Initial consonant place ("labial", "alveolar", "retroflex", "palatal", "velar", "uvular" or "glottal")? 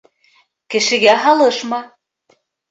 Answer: velar